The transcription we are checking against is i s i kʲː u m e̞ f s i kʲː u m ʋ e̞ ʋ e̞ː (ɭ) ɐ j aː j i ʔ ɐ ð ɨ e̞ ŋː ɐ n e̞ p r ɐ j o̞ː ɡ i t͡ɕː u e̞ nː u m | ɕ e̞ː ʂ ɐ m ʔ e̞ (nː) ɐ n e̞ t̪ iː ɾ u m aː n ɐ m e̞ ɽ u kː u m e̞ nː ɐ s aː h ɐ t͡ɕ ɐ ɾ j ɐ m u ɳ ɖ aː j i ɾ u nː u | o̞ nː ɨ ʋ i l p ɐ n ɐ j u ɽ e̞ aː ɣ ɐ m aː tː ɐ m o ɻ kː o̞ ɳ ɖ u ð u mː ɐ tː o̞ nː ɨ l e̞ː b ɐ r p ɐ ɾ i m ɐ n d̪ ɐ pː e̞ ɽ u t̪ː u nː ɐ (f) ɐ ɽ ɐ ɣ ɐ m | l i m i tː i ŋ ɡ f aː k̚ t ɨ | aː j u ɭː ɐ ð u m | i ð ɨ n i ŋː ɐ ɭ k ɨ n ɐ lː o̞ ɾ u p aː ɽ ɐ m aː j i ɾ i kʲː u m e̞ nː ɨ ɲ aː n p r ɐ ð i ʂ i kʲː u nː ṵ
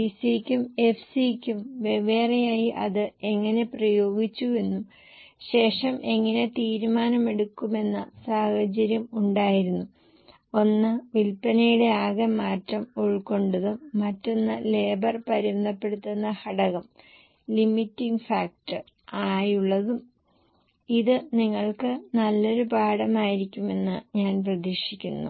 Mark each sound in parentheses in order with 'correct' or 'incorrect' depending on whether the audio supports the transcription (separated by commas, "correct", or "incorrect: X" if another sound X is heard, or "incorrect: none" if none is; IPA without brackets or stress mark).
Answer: incorrect: r, incorrect: ŋː, incorrect: h